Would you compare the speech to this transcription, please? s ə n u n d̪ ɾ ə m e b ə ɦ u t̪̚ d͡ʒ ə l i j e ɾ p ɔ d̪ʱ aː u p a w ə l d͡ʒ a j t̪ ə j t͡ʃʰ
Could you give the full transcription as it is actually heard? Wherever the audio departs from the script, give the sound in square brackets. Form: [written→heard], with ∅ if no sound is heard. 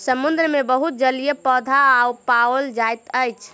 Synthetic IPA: s ə [n→m] u n d̪ ɾ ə m e b ə ɦ u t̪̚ d͡ʒ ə l i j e [ɾ→∅] p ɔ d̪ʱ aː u p a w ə l d͡ʒ a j t̪ ə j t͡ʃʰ